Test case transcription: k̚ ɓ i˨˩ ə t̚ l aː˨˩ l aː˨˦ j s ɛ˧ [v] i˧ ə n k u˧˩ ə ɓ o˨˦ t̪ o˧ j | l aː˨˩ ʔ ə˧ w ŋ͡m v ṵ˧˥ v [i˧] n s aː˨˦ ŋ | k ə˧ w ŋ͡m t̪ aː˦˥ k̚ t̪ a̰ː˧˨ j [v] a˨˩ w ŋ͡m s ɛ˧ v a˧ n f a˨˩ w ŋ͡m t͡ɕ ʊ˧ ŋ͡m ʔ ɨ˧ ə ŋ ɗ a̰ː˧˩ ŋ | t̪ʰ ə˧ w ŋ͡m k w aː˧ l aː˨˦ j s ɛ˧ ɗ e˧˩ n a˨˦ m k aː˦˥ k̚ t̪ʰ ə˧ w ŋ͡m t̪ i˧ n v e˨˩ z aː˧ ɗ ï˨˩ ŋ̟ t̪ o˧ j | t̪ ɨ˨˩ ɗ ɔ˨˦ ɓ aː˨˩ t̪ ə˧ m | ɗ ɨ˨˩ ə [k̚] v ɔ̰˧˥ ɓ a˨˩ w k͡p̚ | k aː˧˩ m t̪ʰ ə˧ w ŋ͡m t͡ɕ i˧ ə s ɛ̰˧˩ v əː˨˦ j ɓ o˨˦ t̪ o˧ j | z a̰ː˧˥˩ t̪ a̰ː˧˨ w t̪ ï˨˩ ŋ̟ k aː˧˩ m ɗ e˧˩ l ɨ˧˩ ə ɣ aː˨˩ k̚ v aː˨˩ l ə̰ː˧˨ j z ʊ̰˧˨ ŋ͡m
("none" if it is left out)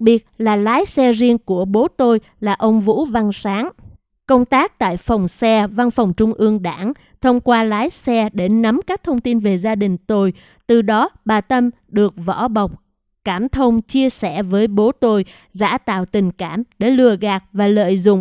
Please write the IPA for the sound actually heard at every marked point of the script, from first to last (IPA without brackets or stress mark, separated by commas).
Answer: z, a˧, f, k̚